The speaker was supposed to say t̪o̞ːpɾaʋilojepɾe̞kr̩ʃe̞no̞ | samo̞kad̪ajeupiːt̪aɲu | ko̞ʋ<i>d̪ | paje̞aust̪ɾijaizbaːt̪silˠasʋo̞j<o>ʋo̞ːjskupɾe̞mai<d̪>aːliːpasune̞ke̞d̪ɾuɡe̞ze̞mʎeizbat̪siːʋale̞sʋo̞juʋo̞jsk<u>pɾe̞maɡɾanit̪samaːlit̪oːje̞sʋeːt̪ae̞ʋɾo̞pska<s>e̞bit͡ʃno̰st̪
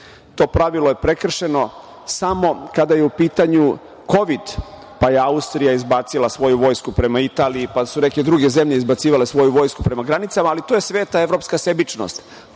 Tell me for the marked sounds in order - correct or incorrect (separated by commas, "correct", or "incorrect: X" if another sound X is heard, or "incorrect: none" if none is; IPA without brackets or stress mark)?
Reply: correct, incorrect: u, incorrect: t̪, correct, correct